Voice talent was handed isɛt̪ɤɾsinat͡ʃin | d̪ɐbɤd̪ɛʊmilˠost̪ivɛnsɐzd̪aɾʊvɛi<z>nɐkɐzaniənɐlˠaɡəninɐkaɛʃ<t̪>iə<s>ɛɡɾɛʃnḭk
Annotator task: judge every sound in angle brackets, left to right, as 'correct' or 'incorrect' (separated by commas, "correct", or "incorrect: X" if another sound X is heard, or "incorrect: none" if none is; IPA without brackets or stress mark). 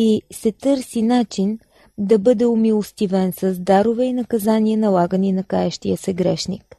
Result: incorrect: none, correct, correct